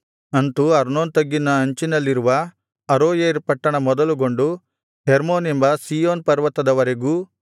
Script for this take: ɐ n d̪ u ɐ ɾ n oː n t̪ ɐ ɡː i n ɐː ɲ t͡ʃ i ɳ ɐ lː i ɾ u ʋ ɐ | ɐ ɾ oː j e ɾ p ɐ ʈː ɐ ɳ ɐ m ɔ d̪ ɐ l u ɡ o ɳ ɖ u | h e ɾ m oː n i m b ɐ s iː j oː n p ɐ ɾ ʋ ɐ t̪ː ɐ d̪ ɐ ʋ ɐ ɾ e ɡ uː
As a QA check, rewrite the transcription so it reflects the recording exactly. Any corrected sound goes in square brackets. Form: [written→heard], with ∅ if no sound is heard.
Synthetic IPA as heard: ɐ n [d̪→t̪] u ɐ ɾ n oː n t̪ ɐ ɡː i n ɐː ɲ t͡ʃ i [ɳ→n] ɐ lː i ɾ u ʋ ɐ | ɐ ɾ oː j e ɾ p ɐ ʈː ɐ ɳ ɐ m ɔ d̪ ɐ l u ɡ o ɳ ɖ u | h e ɾ m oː n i m b ɐ s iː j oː n p ɐ ɾ ʋ ɐ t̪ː ɐ d̪ ɐ ʋ ɐ ɾ e ɡ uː

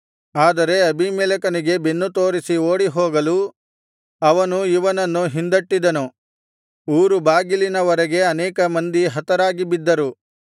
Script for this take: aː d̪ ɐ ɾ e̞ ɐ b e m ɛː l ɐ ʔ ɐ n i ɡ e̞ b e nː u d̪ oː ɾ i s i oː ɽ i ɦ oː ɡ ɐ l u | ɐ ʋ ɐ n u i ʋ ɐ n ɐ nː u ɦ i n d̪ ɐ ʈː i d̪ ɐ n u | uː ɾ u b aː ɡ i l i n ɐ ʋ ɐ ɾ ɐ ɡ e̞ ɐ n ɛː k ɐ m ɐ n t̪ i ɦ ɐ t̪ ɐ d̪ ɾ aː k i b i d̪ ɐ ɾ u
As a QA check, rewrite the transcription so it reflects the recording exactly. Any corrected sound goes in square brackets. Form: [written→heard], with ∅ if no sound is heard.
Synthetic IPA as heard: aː d̪ ɐ ɾ e̞ ɐ b [e→i] m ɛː l ɐ [ʔ→k] ɐ n i ɡ e̞ b e nː u [d̪→t̪] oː ɾ i s i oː ɽ i ɦ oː ɡ ɐ l u | ɐ ʋ ɐ n u i ʋ ɐ n ɐ nː u ɦ i n d̪ ɐ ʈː i d̪ ɐ n u | uː ɾ u b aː ɡ i l i n ɐ ʋ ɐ ɾ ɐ ɡ e̞ ɐ n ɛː k ɐ m ɐ n [t̪→d̪] i ɦ ɐ t̪ ɐ [d̪→∅] ɾ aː [k→ɡ] i b i [d̪→d̪ː] ɐ ɾ u

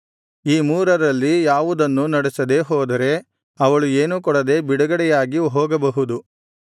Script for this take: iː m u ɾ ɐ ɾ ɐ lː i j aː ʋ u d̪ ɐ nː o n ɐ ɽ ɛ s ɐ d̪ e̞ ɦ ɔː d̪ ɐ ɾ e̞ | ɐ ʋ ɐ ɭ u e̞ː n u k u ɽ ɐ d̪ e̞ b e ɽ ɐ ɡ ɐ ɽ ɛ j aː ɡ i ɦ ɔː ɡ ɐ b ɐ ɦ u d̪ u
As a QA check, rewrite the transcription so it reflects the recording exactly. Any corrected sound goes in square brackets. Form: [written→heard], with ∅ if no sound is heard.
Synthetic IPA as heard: iː m [u→uː] ɾ ɐ ɾ ɐ lː i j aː ʋ u d̪ ɐ nː [o→u] n ɐ ɽ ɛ s ɐ d̪ e̞ ɦ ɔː d̪ ɐ ɾ e̞ | ɐ ʋ ɐ ɭ u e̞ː n u k [u→ɔ] ɽ ɐ d̪ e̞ b [e→i] ɽ ɐ ɡ ɐ ɽ ɛ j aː ɡ i ɦ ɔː ɡ ɐ b ɐ ɦ u d̪ u

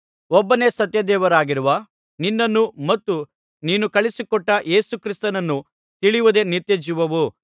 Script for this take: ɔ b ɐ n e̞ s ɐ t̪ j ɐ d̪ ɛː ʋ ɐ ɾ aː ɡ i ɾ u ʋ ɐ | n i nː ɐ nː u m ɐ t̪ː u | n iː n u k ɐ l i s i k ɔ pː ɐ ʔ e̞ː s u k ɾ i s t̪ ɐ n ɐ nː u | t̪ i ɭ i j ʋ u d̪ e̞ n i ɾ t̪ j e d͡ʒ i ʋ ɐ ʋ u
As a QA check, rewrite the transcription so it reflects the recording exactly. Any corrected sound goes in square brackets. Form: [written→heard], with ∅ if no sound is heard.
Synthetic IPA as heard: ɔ [b→bː] ɐ n e̞ s ɐ t̪ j ɐ d̪ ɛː ʋ ɐ ɾ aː ɡ i ɾ u ʋ ɐ | n i nː ɐ nː u m ɐ t̪ː u | n iː n u k ɐ [l→ɭ] i s i k ɔ [pː→ʈː] ɐ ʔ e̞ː s u k ɾ i s t̪ ɐ n ɐ nː u | t̪ i ɭ i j ʋ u d̪ e̞ n i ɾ t̪ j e d͡ʒ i ʋ ɐ ʋ u

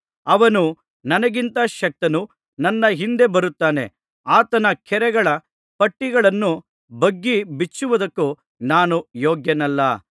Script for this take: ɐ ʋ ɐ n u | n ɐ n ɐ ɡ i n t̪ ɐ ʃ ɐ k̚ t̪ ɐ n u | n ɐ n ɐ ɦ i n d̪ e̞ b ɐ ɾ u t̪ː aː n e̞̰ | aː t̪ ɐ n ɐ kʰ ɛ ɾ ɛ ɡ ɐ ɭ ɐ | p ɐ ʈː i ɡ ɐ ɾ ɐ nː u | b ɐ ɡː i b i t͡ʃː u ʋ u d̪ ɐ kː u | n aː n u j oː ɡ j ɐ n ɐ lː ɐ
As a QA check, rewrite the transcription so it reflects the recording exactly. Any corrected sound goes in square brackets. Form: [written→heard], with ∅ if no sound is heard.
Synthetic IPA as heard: ɐ ʋ ɐ n u | n ɐ n ɐ ɡ i n t̪ ɐ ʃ ɐ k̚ t̪ ɐ n u | n ɐ [n→nː] ɐ ɦ i n d̪ e̞ b ɐ ɾ u t̪ː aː n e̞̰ | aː t̪ ɐ n ɐ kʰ ɛ ɾ ɛ ɡ ɐ ɭ ɐ | p ɐ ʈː i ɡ ɐ [ɾ→ɭ] ɐ nː u | b ɐ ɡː i b i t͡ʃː u ʋ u d̪ ɐ kː u | n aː n u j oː ɡ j ɐ n ɐ lː ɐ

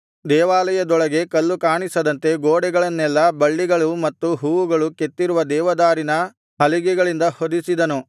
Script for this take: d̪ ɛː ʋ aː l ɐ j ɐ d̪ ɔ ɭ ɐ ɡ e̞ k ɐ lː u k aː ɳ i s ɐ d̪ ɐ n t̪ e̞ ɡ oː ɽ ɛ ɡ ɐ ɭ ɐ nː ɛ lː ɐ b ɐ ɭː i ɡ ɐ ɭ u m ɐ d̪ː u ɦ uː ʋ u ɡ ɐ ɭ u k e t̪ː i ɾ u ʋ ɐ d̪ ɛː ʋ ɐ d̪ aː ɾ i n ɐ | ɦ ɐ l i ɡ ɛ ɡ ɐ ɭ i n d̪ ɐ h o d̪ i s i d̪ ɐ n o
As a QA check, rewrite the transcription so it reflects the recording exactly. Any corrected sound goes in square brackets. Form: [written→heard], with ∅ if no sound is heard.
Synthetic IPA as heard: d̪ ɛː ʋ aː l ɐ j ɐ d̪ ɔ ɭ ɐ ɡ e̞ k ɐ lː u k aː ɳ i s ɐ d̪ ɐ n t̪ e̞ ɡ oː ɽ ɛ ɡ ɐ ɭ ɐ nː ɛ lː ɐ b ɐ ɭː i ɡ ɐ ɭ u m ɐ [d̪ː→t̪ː] u ɦ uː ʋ u ɡ ɐ ɭ u k e t̪ː i ɾ u ʋ ɐ d̪ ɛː ʋ ɐ d̪ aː ɾ i n ɐ | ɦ ɐ l i ɡ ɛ ɡ ɐ ɭ i n d̪ ɐ h o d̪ i s i d̪ ɐ n [o→u]

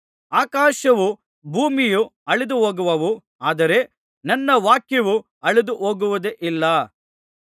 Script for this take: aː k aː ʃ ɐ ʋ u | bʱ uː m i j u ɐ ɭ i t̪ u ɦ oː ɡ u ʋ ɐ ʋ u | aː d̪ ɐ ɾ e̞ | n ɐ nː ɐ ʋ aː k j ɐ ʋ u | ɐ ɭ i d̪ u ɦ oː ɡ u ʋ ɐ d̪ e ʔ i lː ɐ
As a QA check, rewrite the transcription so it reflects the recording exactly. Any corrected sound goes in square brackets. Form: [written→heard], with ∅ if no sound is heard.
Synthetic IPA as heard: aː k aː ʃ ɐ ʋ u | bʱ uː m i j u ɐ ɭ i [t̪→d̪] u ɦ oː ɡ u ʋ ɐ ʋ u | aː d̪ ɐ ɾ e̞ | n ɐ nː ɐ ʋ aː k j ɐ ʋ u | ɐ ɭ i d̪ u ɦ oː ɡ u ʋ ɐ d̪ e ʔ i lː ɐ

